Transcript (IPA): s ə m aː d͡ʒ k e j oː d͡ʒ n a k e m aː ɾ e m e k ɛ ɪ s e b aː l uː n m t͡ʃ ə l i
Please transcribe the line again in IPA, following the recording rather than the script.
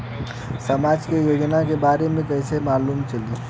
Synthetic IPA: s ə m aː d͡ʒ k e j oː d͡ʒ n a k e b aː ɾ e m ẽ k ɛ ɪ s e m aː l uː m t͡ʃ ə l i